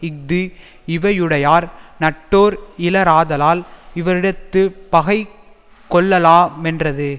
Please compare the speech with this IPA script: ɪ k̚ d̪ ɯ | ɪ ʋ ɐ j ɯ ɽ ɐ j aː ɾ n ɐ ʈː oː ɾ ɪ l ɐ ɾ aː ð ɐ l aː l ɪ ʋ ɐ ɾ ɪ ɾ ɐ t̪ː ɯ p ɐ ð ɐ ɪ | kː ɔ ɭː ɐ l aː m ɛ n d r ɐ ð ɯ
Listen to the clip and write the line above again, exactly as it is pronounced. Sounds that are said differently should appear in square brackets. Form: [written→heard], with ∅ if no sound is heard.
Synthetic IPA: ɪ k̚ d̪ ɯ | ɪ ʋ ɐ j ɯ ɽ ɐ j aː ɾ n ɐ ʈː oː ɾ ɪ l ɐ ɾ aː ð ɐ l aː l ɪ ʋ ɐ ɾ ɪ [ɾ→ɽ] ɐ t̪ː ɯ p ɐ [ð→ɣ] ɐ ɪ | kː ɔ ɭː ɐ l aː m ɛ n d r ɐ ð ɯ